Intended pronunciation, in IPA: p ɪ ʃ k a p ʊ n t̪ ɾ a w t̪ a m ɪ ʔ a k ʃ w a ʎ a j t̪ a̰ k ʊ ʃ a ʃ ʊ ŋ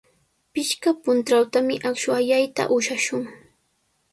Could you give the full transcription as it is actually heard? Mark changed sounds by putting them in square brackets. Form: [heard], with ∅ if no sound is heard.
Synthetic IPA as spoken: p ɪ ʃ k a p ʊ n t̪ ɾ a w t̪ a m ɪ ʔ a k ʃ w a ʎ a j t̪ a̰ [ʔ] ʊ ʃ a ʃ ʊ ŋ